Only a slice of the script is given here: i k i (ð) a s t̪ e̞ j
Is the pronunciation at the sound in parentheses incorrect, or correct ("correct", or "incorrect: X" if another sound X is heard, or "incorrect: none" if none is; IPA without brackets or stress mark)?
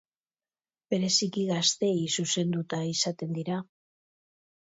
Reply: incorrect: ɣ